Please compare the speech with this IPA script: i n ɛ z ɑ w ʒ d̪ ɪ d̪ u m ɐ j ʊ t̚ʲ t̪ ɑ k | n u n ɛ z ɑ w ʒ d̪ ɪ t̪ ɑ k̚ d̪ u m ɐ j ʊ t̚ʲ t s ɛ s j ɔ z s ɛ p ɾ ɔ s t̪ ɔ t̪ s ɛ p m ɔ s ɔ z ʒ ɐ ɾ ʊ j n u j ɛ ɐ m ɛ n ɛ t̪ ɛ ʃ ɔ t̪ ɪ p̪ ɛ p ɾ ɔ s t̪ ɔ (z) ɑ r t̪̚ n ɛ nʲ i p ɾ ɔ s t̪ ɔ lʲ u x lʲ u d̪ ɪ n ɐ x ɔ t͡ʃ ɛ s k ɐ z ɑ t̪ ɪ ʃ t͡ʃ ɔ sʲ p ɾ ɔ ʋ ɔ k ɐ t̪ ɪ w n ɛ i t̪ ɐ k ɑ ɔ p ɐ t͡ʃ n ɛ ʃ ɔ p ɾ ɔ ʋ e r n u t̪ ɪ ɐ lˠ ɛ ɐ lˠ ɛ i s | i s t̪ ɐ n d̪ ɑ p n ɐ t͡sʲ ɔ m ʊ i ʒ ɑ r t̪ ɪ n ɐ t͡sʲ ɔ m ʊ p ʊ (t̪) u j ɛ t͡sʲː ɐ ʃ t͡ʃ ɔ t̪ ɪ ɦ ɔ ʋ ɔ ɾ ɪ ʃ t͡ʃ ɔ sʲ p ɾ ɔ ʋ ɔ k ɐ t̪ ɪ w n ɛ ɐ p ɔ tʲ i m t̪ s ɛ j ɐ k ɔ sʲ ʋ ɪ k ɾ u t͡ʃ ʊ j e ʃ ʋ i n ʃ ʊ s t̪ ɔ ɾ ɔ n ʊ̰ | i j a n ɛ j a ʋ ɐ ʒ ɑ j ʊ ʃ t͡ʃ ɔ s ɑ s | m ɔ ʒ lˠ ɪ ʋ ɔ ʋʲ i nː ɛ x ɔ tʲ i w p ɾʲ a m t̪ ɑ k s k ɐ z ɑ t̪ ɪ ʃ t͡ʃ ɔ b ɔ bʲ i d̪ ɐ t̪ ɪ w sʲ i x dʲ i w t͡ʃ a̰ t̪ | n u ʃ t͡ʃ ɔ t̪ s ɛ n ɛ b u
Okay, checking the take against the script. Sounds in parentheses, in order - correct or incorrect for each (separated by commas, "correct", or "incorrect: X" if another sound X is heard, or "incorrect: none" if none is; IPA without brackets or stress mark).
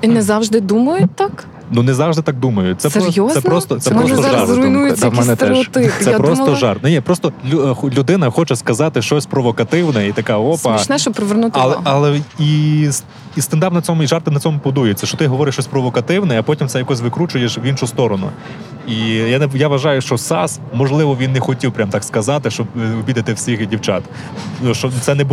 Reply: incorrect: ʒ, incorrect: d̪